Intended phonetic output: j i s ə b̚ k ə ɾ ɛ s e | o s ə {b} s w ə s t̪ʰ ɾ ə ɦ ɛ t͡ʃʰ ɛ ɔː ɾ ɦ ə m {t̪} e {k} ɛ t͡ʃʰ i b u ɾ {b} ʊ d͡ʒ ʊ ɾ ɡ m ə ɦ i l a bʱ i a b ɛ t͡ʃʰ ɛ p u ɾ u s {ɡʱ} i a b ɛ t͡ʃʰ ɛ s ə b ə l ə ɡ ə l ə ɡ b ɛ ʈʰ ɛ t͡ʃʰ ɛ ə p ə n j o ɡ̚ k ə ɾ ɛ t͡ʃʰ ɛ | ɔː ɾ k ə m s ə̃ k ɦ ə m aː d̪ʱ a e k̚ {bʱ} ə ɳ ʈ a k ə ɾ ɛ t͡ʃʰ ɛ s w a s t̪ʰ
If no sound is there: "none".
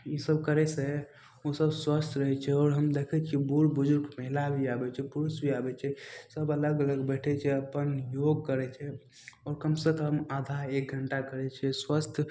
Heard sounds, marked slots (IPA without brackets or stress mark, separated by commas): b, d̪, kʰ, b, bʱ, ɡʱ